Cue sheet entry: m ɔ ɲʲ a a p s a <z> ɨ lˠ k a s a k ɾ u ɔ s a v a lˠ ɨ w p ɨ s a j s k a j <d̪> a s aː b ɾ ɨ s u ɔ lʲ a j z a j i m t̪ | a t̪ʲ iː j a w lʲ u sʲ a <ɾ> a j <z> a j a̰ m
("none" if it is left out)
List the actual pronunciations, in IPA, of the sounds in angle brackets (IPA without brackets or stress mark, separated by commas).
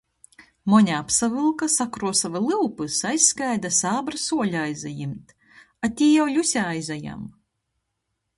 v, d̪, none, z